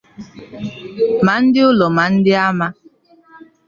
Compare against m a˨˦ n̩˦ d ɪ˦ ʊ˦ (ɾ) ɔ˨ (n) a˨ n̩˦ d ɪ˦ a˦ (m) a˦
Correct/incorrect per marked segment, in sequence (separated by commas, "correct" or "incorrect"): incorrect, incorrect, correct